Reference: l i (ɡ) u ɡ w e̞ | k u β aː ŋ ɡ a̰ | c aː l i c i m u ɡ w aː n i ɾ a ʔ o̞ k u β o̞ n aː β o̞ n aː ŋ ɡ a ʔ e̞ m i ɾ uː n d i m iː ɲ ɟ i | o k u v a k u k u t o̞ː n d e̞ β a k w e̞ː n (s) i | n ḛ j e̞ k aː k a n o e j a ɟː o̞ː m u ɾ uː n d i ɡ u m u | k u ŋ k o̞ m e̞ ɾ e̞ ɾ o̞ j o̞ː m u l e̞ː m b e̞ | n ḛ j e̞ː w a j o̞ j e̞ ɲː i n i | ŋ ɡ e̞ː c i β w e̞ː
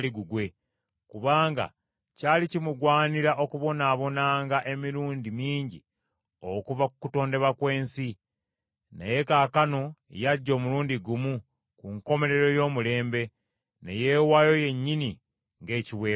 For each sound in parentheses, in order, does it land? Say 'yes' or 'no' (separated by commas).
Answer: yes, yes